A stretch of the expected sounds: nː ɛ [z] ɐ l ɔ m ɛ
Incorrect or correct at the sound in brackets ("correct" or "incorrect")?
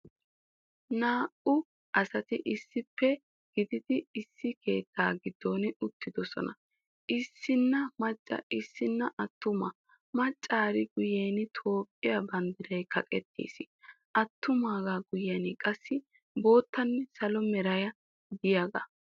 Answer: incorrect